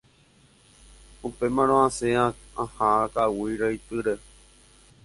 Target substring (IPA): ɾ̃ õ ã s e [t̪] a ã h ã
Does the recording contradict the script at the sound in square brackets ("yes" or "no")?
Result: yes